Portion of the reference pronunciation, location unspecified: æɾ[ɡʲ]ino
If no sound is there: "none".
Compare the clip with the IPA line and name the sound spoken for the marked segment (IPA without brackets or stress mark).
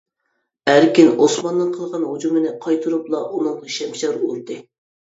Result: kʲ